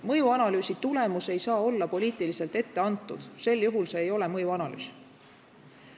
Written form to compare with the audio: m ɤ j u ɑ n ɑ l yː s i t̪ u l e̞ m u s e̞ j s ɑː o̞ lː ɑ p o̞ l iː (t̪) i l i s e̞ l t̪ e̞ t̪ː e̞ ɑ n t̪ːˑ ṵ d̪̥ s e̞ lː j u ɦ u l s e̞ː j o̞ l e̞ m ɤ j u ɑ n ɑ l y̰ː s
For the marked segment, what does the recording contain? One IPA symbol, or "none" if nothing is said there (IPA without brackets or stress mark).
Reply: t̪